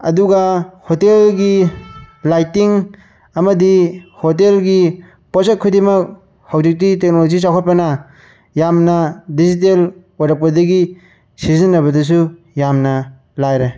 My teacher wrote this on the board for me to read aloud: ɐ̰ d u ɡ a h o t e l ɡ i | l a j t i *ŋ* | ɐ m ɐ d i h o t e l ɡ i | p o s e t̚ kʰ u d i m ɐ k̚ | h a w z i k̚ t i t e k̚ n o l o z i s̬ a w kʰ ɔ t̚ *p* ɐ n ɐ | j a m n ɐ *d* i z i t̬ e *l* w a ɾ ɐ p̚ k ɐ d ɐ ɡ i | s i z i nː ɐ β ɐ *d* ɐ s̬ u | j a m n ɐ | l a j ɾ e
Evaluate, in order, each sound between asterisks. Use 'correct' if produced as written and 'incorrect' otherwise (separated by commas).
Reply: correct, correct, correct, correct, correct